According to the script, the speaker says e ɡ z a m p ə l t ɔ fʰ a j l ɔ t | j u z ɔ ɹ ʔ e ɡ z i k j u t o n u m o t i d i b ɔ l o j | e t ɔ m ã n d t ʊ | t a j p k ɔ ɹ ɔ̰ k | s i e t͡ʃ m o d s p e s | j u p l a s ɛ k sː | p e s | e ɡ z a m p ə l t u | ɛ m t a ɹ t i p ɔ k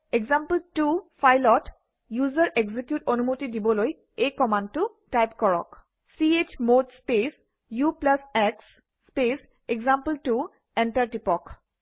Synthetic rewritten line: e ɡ z a m p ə l t u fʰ a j l ɔ t | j u z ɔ ɹ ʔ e ɡ z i k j u t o n u m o t i d i b ɔ l o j | e k ɔ m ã n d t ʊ | t a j p k ɔ ɹ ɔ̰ k | s i e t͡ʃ m o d s p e s | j u p l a s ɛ k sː | p e s | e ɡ z a m p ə l t u | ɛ n t a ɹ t i p ɔ k